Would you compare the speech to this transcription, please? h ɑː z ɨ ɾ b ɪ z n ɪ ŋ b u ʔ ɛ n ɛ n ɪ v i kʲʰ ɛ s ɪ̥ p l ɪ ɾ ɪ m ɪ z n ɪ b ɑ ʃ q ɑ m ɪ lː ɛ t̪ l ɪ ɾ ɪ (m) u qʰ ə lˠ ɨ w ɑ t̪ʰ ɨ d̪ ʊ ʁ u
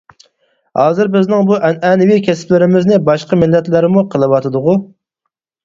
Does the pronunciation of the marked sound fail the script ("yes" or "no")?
no